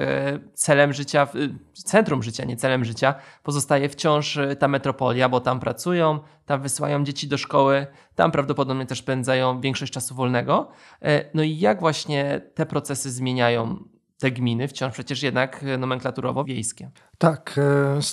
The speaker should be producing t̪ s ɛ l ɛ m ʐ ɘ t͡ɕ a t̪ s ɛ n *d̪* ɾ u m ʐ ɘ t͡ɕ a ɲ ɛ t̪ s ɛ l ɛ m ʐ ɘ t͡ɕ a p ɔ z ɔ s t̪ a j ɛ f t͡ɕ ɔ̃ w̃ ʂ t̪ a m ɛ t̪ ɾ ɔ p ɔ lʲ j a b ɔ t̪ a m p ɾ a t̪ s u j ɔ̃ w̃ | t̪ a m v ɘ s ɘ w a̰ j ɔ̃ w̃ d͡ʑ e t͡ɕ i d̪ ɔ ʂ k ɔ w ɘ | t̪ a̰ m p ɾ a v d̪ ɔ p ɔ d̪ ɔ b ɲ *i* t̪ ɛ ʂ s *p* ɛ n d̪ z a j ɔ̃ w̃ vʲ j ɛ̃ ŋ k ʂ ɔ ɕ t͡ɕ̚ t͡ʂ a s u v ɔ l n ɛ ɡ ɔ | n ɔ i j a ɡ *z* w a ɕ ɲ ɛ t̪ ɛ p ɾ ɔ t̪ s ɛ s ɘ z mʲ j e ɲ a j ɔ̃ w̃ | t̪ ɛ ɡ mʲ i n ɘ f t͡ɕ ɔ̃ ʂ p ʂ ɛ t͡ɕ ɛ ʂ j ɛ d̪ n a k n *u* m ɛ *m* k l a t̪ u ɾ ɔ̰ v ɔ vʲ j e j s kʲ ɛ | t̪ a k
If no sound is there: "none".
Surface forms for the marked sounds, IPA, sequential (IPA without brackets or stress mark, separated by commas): t̪, ɛ, p, v, ɔ, ŋ